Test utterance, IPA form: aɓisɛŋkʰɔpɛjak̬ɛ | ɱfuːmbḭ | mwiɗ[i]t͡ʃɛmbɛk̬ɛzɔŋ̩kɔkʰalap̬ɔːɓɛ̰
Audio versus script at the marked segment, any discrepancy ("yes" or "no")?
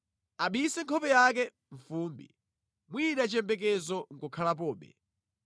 yes